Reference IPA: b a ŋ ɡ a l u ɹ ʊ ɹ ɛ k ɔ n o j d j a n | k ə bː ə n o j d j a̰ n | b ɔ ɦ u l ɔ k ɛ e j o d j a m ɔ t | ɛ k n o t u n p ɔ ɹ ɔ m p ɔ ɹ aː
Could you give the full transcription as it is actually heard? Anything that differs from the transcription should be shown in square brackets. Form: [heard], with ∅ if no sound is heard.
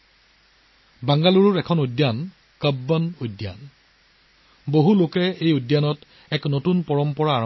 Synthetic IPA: b a ŋ ɡ a l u ɹ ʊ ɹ ɛ [kʰ] ɔ n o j d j a n | k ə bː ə n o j d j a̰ n | b [o] ɦ u l [o] k ɛ e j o d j a [n] ɔ t | ɛ k n o t u n p ɔ ɹ ɔ m p ɔ ɹ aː